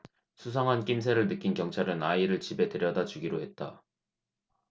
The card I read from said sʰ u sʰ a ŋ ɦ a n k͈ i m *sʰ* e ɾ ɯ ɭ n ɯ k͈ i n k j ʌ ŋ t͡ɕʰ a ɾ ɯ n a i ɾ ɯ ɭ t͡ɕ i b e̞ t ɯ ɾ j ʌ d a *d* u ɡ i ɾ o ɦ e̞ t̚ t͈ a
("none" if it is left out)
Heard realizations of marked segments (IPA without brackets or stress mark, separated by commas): sʰ, d͡ʑ